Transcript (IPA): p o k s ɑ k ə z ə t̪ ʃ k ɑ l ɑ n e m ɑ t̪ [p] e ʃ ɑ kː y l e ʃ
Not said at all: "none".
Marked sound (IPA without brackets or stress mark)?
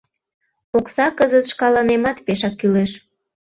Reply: p